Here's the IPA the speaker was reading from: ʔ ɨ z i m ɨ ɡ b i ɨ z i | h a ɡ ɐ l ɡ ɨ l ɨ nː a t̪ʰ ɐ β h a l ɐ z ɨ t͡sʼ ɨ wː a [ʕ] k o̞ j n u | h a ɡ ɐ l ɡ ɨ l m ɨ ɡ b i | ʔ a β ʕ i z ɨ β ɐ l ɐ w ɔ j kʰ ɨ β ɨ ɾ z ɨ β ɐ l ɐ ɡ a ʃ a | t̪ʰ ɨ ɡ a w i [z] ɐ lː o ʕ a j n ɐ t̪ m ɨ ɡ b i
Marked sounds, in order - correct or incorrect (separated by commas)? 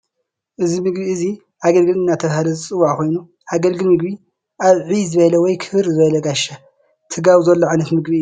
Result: correct, correct